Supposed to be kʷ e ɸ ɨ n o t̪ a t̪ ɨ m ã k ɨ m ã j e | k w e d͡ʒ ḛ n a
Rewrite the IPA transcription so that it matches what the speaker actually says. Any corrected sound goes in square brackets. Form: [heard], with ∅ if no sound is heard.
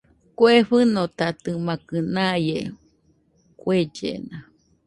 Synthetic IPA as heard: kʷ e ɸ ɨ n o t̪ a t̪ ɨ m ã k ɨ [n] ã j e | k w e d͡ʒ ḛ n a